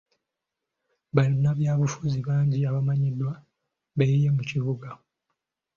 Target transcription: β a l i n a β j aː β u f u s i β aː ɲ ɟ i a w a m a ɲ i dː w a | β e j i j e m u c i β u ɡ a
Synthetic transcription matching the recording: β a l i n a β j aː β u f u z i β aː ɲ ɟ i a β a m a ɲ i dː w a | β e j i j e m u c i β u ɡ a